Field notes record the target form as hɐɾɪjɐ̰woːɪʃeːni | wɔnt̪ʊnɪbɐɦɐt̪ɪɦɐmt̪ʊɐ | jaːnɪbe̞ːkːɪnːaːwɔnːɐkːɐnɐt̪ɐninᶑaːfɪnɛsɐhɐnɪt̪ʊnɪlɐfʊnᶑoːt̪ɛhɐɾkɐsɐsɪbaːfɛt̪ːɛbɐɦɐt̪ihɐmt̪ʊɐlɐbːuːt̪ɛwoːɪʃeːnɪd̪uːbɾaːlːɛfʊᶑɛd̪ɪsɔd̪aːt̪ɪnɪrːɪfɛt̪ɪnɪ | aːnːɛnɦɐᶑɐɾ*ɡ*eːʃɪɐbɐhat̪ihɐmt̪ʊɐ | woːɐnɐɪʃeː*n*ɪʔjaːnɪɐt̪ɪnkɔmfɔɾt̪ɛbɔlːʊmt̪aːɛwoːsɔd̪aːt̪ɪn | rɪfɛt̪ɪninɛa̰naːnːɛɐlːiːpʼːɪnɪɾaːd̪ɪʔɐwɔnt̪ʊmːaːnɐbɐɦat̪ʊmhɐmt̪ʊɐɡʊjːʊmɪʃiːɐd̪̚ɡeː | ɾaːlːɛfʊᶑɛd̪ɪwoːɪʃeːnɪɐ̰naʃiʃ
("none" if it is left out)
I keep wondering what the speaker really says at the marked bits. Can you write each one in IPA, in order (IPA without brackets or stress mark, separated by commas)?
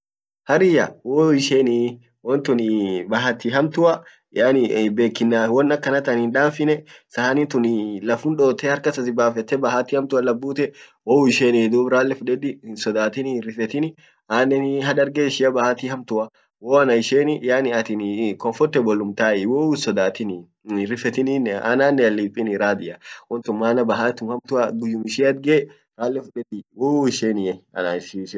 ɡ, n